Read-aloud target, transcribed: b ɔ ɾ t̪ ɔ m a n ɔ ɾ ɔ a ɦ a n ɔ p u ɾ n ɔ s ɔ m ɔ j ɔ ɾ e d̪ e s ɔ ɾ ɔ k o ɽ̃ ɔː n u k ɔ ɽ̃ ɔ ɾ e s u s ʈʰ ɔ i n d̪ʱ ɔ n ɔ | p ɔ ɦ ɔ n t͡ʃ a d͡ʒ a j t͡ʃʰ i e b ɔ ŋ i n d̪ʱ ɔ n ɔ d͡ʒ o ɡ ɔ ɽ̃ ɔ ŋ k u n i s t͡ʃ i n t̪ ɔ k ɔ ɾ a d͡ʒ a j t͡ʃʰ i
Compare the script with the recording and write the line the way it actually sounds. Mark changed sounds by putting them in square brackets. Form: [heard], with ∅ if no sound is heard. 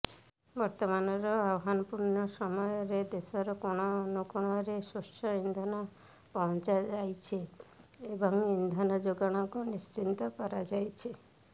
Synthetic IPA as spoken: b ɔ ɾ t̪ ɔ m a n ɔ ɾ ɔ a ɦ a n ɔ p u ɾ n ɔ s ɔ m ɔ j ɔ ɾ e d̪ e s ɔ ɾ ɔ k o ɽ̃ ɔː n u k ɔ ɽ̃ ɔ ɾ e s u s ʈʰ ɔ i n d̪ʱ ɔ n ɔ | p ɔ ɦ ɔ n t͡ʃ a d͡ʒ a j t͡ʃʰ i e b ɔ ŋ i n d̪ʱ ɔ n ɔ d͡ʒ o ɡ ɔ ɽ̃ ɔ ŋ k u n i s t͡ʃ i n t̪ ɔ k ɔ ɾ a d͡ʒ a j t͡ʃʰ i

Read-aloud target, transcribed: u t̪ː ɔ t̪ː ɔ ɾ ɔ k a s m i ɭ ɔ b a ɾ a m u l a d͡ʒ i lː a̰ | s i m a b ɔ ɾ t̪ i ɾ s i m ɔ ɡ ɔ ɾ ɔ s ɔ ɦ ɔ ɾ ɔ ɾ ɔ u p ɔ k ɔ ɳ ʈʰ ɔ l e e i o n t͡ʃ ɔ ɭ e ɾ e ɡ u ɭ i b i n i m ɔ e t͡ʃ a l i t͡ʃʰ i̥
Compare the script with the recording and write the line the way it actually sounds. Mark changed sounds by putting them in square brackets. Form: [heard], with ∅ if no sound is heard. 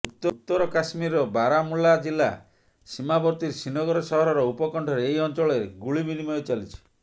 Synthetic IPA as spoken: u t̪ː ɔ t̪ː ɔ ɾ ɔ k a s m i [ɾ] ɔ b a ɾ a m u l a d͡ʒ i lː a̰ | s i m a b ɔ ɾ t̪ i ɾ s i [n] ɔ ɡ ɔ ɾ ɔ s ɔ ɦ ɔ ɾ ɔ ɾ ɔ u p ɔ k ɔ ɳ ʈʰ ɔ [ɾ] e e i [ɔ] n t͡ʃ ɔ ɭ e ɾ e ɡ u ɭ i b i n i m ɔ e t͡ʃ a l i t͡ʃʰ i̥

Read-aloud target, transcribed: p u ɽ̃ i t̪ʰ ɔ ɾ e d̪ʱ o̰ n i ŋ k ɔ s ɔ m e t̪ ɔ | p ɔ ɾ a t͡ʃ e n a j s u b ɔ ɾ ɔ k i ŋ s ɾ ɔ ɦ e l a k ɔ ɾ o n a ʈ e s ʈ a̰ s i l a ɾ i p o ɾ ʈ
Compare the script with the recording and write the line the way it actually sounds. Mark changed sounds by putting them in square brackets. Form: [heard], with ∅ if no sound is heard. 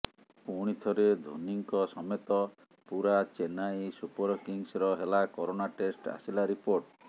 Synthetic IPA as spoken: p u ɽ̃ i t̪ʰ ɔ ɾ e d̪ʱ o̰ n i ŋ k ɔ s ɔ m e t̪ ɔ | p [u] ɾ a t͡ʃ e n a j s u [p] ɔ ɾ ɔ k i ŋ s ɾ ɔ ɦ e l a k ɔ ɾ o n a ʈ e s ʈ a̰ s i l a ɾ i p o ɾ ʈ

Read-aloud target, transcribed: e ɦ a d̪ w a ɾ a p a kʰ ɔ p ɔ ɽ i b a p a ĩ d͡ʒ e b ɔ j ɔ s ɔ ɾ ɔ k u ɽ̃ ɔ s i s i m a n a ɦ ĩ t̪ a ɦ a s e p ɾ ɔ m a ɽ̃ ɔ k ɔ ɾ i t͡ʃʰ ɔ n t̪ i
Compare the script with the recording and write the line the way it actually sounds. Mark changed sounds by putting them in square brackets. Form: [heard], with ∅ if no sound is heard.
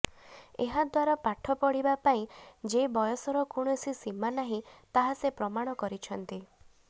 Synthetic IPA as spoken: e ɦ a d̪ w a ɾ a p a [ʈʰ] ɔ p ɔ ɽ i b a p a ĩ d͡ʒ e b ɔ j ɔ s ɔ ɾ ɔ k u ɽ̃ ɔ s i s i m a n a ɦ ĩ t̪ a ɦ a s e p ɾ ɔ m a ɽ̃ ɔ k ɔ ɾ i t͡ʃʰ ɔ n t̪ i

